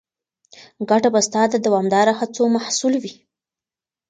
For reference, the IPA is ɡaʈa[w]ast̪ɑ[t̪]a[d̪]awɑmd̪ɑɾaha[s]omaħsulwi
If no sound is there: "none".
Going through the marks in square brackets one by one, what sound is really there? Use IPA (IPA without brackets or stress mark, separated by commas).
b, d̪, d̪, t͡s